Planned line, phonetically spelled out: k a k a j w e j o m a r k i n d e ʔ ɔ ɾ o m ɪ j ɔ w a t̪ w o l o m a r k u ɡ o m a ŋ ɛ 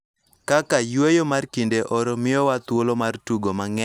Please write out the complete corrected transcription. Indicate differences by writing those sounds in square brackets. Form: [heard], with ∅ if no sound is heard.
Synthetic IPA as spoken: k a k a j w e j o m a r k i n d e ʔ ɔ ɾ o m ɪ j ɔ w a t̪ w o l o m a r [t] u ɡ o m a ŋ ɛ